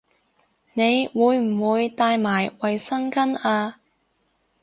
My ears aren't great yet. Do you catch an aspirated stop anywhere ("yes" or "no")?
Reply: no